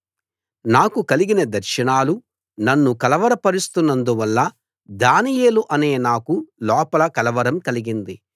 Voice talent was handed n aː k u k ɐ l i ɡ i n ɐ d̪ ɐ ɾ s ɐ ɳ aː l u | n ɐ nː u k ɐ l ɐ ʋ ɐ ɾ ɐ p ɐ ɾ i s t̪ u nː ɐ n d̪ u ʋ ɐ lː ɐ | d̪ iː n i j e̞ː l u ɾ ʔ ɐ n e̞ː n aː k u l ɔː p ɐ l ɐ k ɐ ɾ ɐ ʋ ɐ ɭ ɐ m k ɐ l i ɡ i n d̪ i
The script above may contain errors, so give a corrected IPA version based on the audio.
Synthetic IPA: n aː k u k ɐ l i ɡ i n ɐ d̪ ɐ ɾ ʃ ɐ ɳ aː l u | n ɐ nː u k ɐ l ɐ ʋ ɐ ɾ ɐ p ɐ ɾ i s t̪ u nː ɐ n d̪ u ʋ ɐ lː ɐ | d̪ aː n i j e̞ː l u ʔ ɐ n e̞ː n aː k u l ɔː p ɐ l ɐ k ɐ l ɐ ʋ ɐ ɾ ɐ m k ɐ l i ɡ i n d̪ i

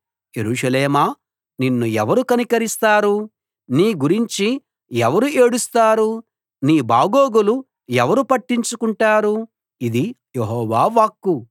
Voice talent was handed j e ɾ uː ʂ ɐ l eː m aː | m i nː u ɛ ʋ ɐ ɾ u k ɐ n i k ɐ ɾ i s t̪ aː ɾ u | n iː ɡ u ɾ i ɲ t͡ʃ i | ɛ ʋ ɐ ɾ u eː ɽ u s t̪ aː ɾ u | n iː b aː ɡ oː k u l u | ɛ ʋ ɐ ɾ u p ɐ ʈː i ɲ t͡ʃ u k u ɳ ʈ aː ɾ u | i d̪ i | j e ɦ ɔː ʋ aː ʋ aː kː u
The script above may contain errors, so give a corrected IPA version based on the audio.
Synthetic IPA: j e ɾ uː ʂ ɐ l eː m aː | n i nː u ɛ ʋ ɐ ɾ u k ɐ n i k ɐ ɾ i s t̪ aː ɾ u | n iː ɡ u ɾ i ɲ t͡ʃ i | ɛ ʋ ɐ ɾ u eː ɽ u s t̪ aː ɾ u | n iː b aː ɡ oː ɡ u l u | ɛ ʋ ɐ ɾ u p ɐ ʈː i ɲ t͡ʃ u k u ɳ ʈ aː ɾ u | i d̪ i | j e ɦ ɔː ʋ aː ʋ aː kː u

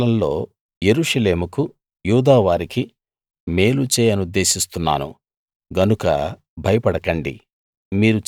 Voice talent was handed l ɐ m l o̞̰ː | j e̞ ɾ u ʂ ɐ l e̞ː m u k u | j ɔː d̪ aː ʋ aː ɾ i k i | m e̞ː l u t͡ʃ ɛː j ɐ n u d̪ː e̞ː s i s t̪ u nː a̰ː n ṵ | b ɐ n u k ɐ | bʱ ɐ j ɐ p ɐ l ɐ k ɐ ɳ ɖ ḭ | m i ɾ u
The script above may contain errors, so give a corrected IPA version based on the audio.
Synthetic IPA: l ɐ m l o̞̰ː | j e̞ ɾ u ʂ ɐ l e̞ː m u k u | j uː d̪ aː ʋ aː ɾ i k i | m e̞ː l u t͡ʃ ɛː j ɐ n u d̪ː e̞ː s i s t̪ u nː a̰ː n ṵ | ɡ ɐ n u k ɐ | bʱ ɐ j ɐ p ɐ ɽ ɐ k ɐ ɳ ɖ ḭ | m iː ɾ u

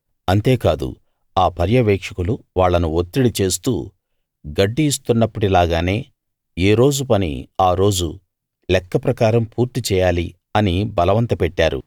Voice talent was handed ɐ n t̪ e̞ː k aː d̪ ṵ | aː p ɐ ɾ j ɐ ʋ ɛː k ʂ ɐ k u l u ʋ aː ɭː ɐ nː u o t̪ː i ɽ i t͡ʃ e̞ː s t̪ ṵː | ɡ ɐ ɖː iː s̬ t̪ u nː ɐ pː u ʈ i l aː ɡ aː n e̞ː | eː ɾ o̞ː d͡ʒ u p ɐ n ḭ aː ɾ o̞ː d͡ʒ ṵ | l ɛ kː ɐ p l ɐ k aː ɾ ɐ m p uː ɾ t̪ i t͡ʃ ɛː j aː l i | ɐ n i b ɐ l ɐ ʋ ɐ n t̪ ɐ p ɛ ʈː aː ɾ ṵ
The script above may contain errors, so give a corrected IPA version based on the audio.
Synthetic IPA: ɐ n t̪ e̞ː k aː d̪ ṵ | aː p ɐ ɾ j ɐ ʋ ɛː k ʂ ɐ k u l u ʋ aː ɭː ɐ n u o t̪ː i ɽ i t͡ʃ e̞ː s t̪ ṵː | ɡ ɐ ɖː iː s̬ t̪ u nː ɐ pː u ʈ i l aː ɡ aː n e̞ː | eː ɾ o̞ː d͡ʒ u p ɐ n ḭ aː ɾ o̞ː d͡ʒ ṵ | l ɛ kː ɐ p ɾ ɐ k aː ɾ ɐ m p uː ɾ t̪ i t͡ʃ ɛː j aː l i | ɐ n i b ɐ l ɐ ʋ ɐ n t̪ ɐ p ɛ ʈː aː ɾ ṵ

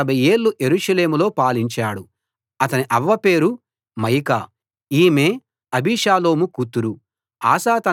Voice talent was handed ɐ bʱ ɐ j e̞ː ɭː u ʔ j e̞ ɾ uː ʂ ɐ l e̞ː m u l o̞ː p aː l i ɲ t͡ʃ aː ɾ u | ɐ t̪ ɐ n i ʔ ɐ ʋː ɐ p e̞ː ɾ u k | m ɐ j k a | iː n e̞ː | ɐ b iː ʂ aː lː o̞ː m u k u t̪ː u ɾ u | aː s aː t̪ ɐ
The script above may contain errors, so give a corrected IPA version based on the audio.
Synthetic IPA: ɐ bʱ ɐ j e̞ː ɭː u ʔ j e̞ ɾ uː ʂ ɐ l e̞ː m u l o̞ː p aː l i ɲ t͡ʃ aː ɽ u | ɐ t̪ ɐ n i ʔ ɐ ʋː ɐ p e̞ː ɾ u | m ɐ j k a | iː m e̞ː | ɐ b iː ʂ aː l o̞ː m u k u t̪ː u ɾ u | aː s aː t̪ ɐ

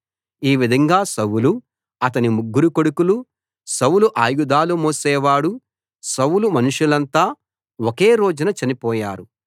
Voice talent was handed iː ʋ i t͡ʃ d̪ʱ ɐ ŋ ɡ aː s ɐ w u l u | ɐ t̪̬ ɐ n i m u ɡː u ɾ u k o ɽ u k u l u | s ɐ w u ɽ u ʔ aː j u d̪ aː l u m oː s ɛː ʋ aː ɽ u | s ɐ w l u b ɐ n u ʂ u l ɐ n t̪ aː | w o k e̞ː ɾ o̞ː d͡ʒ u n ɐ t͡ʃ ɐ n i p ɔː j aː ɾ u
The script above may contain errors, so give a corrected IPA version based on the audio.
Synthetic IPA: iː ʋ i d̪ʱ ɐ ŋ ɡ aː s ɐ w u l u | ɐ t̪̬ ɐ n i m u ɡː u ɾ u k o ɽ u k u l u | s ɐ w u l u ʔ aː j u d̪ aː l u m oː s ɛː ʋ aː ɽ u | s ɐ w l u m ɐ n u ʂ u l ɐ n t̪ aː | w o k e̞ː ɾ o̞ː d͡ʒ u n ɐ t͡ʃ ɐ n i p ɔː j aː ɾ u

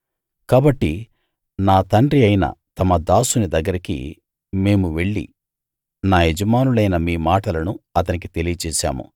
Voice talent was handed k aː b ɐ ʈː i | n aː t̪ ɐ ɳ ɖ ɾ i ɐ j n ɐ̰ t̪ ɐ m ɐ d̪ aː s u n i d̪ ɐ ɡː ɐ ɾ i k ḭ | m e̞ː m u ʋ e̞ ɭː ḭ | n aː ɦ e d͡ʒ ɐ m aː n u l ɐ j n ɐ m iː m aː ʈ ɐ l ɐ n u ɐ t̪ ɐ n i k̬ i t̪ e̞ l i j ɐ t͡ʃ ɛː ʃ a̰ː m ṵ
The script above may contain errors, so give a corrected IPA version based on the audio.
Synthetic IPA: k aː b ɐ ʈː i | n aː t̪ ɐ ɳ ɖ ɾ i ɐ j n ɐ̰ t̪ ɐ m ɐ d̪ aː s u n i d̪ ɐ ɡː ɐ ɾ i k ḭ | m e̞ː m u ʋ e̞ ɭː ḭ | n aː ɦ e d͡ʒ ɐ m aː n u l ɐ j n ɐ m iː m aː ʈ ɐ l ɐ n u ɐ t̪ ɐ n i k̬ i t̪ e̞ l i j ɐ t͡ʃ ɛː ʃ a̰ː m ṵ

